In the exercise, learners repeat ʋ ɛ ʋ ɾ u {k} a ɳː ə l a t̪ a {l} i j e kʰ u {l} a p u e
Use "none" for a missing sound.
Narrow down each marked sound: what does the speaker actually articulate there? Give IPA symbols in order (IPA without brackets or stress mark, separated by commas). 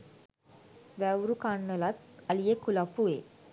k, l, l